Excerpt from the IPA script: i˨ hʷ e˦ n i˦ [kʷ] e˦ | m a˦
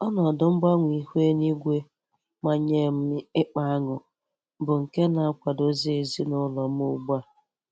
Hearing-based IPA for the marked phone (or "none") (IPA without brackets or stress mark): ɡʷ